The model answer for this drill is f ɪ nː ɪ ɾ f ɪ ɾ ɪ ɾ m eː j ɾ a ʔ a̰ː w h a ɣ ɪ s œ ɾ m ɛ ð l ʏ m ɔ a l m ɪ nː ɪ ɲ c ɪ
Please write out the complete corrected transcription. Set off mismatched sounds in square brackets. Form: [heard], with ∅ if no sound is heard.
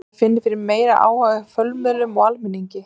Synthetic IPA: f ɪ nː ɪ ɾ f ɪ ɾ ɪ ɾ m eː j ɾ a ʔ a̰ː w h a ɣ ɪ [f] œ [l] m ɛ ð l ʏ m ɔ a l m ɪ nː [i] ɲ c ɪ